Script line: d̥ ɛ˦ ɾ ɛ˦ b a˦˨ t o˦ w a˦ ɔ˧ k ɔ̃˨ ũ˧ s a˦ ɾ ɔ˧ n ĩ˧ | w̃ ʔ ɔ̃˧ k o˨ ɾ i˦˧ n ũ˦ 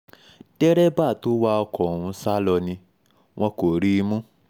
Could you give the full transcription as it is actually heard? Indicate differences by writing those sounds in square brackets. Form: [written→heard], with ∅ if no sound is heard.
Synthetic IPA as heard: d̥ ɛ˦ ɾ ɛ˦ b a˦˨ t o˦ w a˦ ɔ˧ k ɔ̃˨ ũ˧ s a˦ [ɾ→l] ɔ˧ n ĩ˧ | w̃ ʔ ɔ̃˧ k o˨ ɾ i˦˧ [n→m] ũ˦